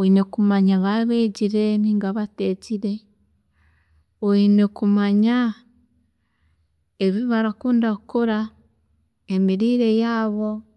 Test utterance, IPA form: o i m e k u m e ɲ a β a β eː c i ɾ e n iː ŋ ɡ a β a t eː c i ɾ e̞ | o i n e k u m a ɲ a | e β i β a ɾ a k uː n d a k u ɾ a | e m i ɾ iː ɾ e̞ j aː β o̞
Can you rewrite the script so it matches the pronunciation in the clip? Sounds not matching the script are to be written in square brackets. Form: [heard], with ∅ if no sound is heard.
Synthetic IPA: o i [n] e k u m [a] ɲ a β a β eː [ɟ] i ɾ e n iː ŋ ɡ a β a t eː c i ɾ e̞ | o i n e k u m a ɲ a | e β i β a ɾ a k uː n d a k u ɾ a | e m i ɾ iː ɾ e̞ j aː β o̞